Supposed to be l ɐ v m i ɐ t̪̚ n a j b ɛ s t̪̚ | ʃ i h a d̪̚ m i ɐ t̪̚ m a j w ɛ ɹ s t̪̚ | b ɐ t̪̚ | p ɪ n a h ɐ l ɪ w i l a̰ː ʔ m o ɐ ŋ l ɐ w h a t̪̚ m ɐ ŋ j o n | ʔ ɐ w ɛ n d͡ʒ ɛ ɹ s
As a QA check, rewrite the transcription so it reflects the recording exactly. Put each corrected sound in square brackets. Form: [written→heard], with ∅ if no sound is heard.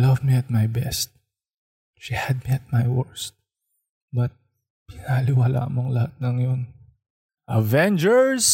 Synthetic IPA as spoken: l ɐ v m i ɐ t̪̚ [n→m] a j b ɛ s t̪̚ | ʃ i h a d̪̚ m i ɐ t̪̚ m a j w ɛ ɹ s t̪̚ | b ɐ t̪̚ | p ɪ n a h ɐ l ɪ w [i→a] l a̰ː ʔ m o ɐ ŋ l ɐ [w→∅] h a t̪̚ [m→n] ɐ ŋ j o n | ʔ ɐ [w→v] ɛ n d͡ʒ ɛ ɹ s